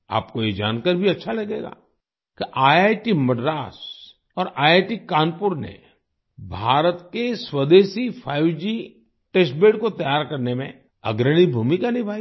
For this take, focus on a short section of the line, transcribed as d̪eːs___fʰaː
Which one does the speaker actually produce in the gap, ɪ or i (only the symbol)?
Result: i